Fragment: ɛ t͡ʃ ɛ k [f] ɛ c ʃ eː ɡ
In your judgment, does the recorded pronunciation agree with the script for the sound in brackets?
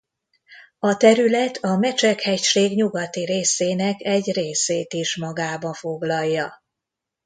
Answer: no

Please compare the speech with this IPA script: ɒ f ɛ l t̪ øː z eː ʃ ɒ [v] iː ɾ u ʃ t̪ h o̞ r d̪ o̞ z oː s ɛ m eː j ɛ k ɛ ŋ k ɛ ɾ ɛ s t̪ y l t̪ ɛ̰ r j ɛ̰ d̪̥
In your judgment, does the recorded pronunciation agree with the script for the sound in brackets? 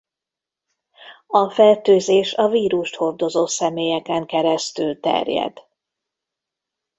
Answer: yes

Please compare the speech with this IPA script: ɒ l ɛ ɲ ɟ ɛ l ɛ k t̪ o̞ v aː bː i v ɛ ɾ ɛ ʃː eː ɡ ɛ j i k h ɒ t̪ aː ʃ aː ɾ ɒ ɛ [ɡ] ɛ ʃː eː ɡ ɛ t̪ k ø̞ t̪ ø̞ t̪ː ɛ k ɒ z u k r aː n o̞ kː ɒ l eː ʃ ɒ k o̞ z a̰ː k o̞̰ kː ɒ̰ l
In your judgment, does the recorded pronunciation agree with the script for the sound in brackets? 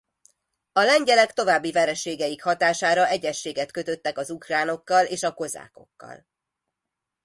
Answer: no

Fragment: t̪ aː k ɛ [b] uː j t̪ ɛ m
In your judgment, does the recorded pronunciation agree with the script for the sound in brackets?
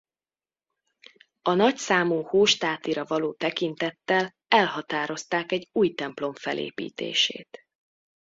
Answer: no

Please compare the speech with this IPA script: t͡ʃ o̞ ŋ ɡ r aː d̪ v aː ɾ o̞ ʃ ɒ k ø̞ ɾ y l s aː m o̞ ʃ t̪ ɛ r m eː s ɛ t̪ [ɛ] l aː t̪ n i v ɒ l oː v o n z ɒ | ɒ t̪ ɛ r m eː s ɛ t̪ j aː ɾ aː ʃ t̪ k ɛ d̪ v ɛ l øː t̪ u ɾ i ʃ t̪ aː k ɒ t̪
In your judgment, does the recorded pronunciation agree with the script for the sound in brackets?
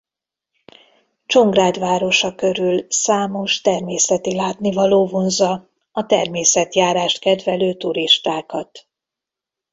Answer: no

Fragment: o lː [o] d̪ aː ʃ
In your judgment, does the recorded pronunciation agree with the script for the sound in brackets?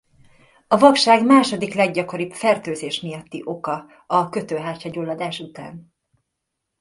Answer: no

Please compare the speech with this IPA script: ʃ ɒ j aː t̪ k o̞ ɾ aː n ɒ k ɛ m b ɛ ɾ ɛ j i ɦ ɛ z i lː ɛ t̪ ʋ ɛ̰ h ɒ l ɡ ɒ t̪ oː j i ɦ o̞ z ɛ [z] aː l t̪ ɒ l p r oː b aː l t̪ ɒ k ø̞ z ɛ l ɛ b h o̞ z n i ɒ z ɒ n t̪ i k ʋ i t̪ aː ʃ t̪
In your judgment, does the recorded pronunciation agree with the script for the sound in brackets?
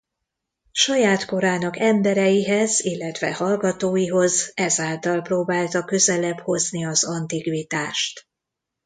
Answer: yes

